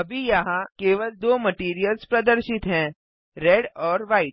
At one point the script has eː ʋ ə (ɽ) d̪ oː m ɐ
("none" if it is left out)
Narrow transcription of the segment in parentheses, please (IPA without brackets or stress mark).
l